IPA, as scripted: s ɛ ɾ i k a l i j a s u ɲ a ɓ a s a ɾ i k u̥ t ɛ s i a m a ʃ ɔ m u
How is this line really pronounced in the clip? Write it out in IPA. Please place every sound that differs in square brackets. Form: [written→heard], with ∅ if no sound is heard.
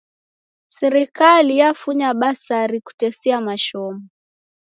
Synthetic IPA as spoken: s ɛ ɾ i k a l i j a [s→f] u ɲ a ɓ a s a ɾ i k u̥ t ɛ s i a m a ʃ ɔ m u